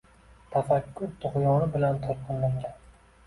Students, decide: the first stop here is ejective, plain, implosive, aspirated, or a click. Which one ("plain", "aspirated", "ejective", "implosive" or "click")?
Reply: aspirated